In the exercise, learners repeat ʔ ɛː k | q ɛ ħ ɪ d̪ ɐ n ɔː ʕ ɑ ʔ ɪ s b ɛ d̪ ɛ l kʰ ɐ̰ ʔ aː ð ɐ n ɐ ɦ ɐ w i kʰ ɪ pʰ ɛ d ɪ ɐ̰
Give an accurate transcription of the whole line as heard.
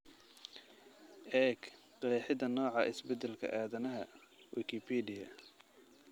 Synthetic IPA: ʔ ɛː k | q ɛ ħ ɪ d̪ ɐ n ɔː ʕ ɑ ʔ ɪ s b ɛ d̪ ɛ l kʰ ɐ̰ ʔ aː ð ɐ n ɐ ɦ ɐ w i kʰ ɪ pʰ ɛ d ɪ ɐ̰

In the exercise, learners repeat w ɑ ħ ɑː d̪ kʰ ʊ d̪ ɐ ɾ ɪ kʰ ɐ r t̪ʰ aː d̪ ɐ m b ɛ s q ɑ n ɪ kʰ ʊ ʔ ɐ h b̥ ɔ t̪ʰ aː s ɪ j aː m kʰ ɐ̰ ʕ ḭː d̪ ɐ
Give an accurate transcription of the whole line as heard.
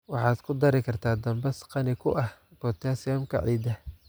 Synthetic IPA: w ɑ ħ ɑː d̪ kʰ ʊ d̪ ɐ ɾ ɪ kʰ ɐ r t̪ʰ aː d̪ ɐ m b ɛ s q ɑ n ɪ kʰ ʊ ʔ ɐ h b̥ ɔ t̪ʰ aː s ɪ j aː m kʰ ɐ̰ ʕ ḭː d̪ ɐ

